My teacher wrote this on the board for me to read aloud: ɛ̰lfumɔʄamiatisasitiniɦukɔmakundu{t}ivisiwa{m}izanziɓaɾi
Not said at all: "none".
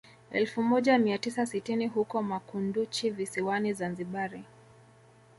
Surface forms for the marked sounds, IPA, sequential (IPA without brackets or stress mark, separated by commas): t͡ʃ, n